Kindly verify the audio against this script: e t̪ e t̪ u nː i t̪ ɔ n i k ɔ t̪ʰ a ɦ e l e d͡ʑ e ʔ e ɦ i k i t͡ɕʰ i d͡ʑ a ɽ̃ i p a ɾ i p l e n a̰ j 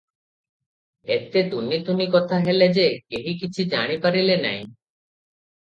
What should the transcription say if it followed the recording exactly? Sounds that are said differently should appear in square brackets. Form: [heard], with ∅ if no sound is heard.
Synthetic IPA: e t̪ e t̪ u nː i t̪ [u] n i k ɔ t̪ʰ a ɦ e l e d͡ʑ e [k] e ɦ i k i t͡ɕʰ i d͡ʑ a ɽ̃ i p a ɾ i [∅] l e n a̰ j